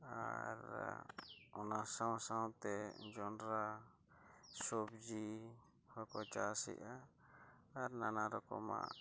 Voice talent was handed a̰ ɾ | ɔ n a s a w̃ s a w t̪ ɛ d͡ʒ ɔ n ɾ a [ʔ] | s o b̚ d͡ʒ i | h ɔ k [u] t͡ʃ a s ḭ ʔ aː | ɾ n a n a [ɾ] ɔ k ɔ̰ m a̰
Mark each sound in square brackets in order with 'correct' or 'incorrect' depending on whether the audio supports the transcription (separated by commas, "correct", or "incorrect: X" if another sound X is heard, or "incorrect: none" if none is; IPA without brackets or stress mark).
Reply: incorrect: none, incorrect: ɔ, correct